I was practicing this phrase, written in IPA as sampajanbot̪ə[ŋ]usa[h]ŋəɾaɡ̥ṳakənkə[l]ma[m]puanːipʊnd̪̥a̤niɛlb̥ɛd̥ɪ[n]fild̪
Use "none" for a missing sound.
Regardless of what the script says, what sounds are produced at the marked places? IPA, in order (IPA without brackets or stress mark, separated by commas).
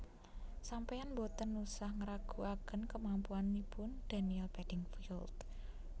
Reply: n, h, none, m, ŋ